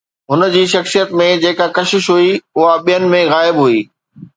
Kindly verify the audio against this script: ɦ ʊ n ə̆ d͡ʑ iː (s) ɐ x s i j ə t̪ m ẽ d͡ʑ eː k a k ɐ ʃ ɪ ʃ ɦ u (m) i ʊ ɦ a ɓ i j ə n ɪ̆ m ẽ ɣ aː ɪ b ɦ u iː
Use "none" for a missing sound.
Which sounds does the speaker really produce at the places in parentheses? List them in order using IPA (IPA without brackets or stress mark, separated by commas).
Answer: ʃ, none